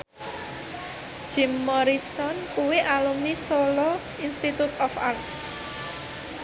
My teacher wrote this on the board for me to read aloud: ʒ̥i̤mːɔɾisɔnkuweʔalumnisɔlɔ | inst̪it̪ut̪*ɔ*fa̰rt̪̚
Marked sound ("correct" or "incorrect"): correct